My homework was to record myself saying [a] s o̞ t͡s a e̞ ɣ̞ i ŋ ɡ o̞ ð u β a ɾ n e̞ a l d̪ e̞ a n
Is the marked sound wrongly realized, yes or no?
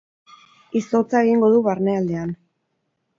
yes